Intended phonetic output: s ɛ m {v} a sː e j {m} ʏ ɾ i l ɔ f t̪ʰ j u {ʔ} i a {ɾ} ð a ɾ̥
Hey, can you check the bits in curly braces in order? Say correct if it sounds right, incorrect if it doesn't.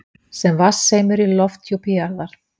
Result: correct, correct, incorrect, correct

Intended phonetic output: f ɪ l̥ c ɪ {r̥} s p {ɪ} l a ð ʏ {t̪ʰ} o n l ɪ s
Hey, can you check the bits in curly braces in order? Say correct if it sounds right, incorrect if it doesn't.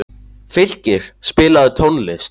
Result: incorrect, incorrect, correct

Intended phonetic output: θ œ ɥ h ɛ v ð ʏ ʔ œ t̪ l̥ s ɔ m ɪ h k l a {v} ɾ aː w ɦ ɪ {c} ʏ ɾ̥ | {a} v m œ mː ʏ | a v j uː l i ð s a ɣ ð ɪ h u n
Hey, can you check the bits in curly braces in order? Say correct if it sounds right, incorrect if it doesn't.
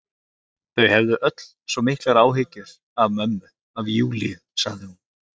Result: incorrect, correct, correct

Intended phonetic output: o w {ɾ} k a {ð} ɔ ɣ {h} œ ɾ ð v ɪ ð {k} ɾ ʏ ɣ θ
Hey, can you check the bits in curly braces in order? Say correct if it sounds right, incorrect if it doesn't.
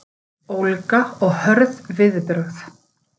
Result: incorrect, incorrect, correct, incorrect

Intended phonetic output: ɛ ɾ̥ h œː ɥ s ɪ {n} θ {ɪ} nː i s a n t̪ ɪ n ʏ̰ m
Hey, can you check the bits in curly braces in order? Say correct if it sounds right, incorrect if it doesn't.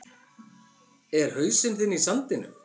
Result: correct, correct

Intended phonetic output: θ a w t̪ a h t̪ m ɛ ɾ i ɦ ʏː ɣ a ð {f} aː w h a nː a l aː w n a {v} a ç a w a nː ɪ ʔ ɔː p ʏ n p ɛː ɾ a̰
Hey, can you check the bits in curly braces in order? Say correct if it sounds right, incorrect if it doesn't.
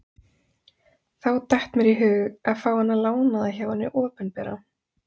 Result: correct, incorrect

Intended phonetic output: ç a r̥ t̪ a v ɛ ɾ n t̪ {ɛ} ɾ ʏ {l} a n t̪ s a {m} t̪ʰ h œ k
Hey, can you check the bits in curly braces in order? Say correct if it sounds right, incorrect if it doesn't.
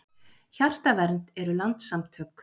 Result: correct, correct, correct

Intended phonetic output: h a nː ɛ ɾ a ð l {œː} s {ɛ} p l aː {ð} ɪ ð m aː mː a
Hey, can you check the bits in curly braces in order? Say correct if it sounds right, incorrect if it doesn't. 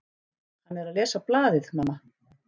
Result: incorrect, incorrect, correct

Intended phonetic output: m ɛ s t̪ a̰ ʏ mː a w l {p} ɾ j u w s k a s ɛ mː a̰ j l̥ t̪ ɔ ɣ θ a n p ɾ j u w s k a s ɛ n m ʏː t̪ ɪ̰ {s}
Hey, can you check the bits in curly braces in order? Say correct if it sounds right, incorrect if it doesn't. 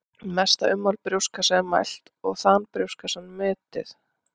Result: correct, incorrect

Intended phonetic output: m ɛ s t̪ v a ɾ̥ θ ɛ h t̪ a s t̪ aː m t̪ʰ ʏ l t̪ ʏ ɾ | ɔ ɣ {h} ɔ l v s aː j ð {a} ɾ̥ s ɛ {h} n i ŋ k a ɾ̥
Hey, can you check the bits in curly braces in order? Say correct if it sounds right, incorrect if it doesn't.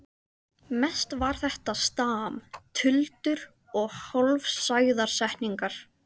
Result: correct, correct, correct

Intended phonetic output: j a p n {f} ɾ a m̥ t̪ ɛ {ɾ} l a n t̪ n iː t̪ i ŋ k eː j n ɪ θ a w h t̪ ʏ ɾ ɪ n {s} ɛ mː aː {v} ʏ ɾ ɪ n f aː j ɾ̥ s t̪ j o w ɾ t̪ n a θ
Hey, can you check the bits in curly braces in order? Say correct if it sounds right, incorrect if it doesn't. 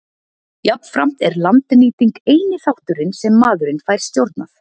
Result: correct, correct, correct, incorrect

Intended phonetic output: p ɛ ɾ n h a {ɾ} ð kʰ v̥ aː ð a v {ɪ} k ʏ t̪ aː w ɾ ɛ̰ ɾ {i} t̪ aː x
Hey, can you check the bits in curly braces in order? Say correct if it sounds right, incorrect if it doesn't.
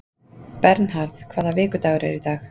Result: correct, incorrect, correct

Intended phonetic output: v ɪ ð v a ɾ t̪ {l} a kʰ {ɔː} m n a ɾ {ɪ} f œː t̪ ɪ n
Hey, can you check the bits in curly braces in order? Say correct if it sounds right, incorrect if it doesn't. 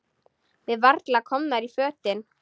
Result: correct, incorrect, incorrect

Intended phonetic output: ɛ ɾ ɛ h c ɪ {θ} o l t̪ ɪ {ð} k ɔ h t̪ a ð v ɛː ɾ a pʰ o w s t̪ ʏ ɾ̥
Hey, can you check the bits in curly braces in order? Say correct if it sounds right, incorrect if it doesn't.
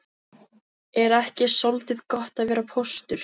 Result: incorrect, correct

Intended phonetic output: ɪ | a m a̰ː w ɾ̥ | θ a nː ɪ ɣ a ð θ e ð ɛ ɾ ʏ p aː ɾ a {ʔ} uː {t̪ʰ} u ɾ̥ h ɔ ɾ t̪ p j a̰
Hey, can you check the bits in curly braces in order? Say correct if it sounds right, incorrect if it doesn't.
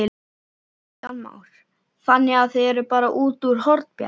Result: correct, incorrect

